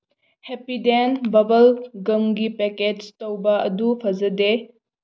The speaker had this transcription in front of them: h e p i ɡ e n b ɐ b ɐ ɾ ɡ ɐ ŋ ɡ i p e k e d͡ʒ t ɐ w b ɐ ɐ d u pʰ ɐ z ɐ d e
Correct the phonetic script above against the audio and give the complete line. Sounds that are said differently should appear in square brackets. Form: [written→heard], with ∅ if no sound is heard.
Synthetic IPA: h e p i [ɡ→d] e n b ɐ b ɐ [ɾ→l] ɡ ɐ [ŋ→m] ɡ i p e k e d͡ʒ t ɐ w b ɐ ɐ d u pʰ ɐ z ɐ d e

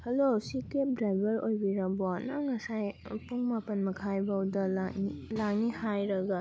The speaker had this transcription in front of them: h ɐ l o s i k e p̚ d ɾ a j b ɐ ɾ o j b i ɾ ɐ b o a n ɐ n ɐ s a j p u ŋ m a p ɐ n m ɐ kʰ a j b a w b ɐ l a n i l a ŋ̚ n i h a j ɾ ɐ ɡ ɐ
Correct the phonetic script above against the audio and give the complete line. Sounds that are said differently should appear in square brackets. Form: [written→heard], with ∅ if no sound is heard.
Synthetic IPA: h ɐ l o s i k e p̚ d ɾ a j b ɐ ɾ o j b i ɾ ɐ b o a n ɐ [n→ŋ] ɐ s a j p u ŋ m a p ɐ n m ɐ kʰ a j b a w [b→d] ɐ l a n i l a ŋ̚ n i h a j ɾ ɐ ɡ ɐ

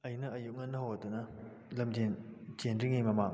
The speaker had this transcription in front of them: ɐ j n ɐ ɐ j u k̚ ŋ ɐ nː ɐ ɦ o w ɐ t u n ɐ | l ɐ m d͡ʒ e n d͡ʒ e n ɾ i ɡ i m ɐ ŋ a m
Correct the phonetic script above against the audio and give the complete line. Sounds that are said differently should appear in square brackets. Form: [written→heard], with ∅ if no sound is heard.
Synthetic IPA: ɐ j n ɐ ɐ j u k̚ ŋ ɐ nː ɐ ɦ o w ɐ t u n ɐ | l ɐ m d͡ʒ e n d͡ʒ e n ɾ i [ɡ→ŋ] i m ɐ [ŋ→m] a [m→ŋ]

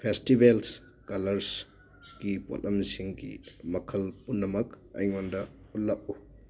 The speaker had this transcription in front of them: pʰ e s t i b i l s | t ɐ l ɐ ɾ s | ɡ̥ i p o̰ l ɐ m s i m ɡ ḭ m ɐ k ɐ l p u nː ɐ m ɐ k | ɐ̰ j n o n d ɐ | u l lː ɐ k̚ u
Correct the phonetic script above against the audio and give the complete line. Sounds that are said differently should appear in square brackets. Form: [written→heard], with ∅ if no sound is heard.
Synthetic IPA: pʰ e s t i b [i→e] l s | [t→k] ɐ l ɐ ɾ s | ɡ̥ i p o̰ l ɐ m s i [m→ŋ] ɡ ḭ m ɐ [k→kʰ] ɐ l p u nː ɐ m ɐ k | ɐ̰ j [n→ŋ] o n d ɐ | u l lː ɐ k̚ u

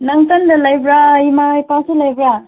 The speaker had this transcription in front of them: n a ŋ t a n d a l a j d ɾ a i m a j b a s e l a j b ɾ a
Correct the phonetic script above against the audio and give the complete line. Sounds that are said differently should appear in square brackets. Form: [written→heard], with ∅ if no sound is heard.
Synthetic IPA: n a ŋ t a n d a l a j [d→b] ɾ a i m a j [b→p] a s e l a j b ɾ a

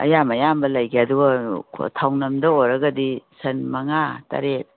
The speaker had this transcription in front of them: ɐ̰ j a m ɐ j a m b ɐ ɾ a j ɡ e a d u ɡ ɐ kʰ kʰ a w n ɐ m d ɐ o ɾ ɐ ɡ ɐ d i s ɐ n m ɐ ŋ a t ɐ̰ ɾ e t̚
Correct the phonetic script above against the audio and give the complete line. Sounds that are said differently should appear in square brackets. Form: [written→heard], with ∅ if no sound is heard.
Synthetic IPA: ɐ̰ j a m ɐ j a m b ɐ [ɾ→l] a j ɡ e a d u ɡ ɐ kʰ [kʰ→tʰ] a w n ɐ m d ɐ o ɾ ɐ ɡ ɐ d i s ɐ n m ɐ ŋ a t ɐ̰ ɾ e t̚

